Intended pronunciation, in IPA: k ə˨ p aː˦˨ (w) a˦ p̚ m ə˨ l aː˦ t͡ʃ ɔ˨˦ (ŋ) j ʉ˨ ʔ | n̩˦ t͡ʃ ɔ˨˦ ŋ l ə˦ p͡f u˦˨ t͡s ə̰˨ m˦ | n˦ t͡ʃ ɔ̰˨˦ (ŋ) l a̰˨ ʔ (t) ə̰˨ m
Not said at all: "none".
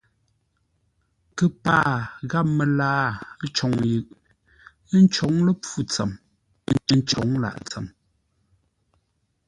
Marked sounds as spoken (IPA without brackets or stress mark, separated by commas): ɣ, ŋ, ŋ, t͡s